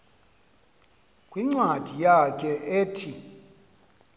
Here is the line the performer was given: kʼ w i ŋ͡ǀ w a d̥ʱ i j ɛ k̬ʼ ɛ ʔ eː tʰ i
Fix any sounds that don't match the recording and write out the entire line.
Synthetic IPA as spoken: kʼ w i ŋ͡ǀ w a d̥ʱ i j a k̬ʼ ɛ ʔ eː tʰ i